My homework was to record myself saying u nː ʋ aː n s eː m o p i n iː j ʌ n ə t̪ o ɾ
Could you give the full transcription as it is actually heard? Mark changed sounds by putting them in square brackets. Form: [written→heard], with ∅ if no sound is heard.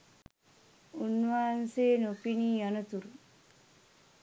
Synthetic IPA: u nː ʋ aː n s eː [m→n] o p i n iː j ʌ n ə t̪ [o→u] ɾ